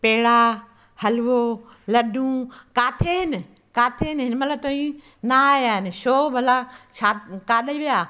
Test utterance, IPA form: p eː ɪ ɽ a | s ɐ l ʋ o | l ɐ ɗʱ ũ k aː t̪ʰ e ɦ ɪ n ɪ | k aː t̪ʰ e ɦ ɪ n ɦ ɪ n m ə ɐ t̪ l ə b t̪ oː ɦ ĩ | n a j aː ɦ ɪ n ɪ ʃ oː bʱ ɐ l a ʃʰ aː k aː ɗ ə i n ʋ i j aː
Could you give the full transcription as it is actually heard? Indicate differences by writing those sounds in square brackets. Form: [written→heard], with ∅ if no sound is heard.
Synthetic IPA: p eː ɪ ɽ a | [s→h] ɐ l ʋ o | l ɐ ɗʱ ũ k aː t̪ʰ e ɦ ɪ n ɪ | k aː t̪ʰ e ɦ ɪ n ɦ ɪ n m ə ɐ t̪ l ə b t̪ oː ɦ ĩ | n a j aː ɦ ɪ n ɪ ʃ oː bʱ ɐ l a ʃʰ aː k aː ɗ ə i [n→∅] ʋ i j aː